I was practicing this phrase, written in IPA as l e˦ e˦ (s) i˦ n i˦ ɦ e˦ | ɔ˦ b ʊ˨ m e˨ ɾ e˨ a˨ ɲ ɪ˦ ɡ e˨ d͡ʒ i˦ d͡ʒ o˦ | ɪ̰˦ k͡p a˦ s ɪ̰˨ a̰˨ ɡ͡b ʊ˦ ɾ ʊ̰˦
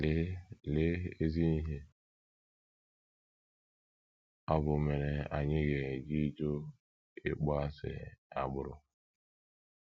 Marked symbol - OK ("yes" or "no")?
no